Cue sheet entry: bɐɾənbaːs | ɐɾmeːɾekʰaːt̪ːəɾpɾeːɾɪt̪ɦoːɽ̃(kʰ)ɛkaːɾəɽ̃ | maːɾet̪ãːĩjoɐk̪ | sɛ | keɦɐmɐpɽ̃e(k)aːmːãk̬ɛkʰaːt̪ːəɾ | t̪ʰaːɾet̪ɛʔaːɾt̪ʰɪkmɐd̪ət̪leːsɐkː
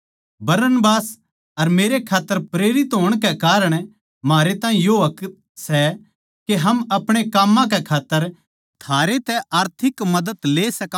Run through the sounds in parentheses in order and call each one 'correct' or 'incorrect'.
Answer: incorrect: k, correct

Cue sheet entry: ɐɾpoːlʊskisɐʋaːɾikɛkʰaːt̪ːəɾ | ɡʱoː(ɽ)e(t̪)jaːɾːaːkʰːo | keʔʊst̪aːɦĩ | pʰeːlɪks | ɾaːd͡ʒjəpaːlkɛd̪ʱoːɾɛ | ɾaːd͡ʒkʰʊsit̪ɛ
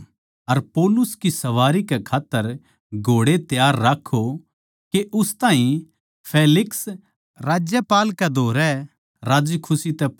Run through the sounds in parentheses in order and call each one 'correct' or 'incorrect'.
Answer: correct, correct

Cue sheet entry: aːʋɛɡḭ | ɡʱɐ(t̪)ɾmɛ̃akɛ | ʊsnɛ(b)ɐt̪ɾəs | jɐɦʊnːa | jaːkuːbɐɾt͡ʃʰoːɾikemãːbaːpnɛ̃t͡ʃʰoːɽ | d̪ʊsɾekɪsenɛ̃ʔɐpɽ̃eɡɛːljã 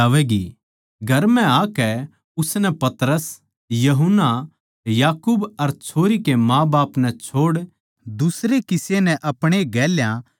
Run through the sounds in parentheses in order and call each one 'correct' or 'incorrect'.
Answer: incorrect: none, incorrect: p

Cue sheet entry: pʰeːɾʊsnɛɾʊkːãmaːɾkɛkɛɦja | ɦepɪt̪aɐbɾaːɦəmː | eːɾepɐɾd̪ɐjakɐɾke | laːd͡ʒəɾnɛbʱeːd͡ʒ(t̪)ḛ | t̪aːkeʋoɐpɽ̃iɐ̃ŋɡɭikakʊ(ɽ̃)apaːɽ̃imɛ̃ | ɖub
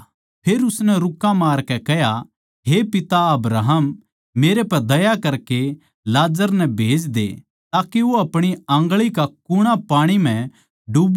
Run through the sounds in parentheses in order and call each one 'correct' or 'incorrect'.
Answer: incorrect: d̪, correct

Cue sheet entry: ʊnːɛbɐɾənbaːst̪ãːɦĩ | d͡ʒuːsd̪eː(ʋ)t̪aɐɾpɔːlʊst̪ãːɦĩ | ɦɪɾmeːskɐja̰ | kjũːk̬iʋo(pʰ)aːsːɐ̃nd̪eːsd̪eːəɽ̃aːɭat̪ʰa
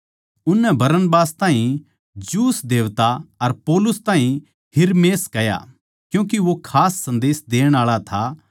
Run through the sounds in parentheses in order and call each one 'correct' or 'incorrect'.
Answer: correct, incorrect: kʰ

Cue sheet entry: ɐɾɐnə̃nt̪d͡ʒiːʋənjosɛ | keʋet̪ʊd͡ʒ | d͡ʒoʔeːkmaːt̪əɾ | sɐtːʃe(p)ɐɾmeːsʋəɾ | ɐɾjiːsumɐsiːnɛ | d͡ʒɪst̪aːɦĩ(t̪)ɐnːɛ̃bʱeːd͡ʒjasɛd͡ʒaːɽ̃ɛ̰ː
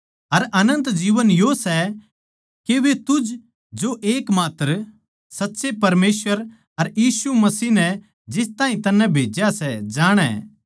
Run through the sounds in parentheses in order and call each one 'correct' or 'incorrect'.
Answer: correct, correct

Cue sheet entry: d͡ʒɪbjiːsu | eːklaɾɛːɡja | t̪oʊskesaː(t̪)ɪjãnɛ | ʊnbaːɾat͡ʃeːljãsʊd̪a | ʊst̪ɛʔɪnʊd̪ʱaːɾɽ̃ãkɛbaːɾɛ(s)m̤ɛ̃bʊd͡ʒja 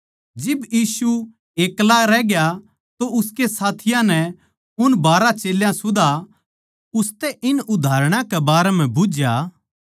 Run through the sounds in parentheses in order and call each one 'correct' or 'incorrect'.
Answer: incorrect: t̪ʰ, incorrect: none

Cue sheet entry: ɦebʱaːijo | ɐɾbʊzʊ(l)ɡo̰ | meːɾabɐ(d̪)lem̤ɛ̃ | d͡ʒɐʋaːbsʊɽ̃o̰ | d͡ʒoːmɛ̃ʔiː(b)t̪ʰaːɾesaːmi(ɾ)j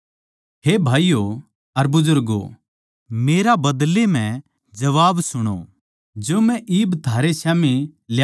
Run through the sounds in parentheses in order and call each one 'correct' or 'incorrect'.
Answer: incorrect: ɾ, correct, correct, incorrect: l

